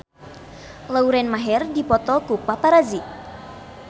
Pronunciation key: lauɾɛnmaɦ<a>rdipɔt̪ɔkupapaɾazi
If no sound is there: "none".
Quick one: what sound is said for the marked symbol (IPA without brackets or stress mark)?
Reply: ɛ